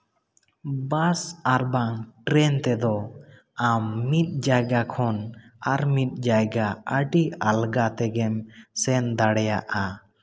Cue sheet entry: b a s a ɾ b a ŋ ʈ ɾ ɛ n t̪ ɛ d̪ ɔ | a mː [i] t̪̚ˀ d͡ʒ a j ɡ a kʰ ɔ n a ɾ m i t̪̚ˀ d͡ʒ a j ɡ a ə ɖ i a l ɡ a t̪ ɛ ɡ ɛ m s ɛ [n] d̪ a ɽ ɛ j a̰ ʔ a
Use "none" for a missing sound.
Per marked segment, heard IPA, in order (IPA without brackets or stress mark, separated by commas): i, n